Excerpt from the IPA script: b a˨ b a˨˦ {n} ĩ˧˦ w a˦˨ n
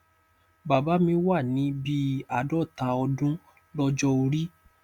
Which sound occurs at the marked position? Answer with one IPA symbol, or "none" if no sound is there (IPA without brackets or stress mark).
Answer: m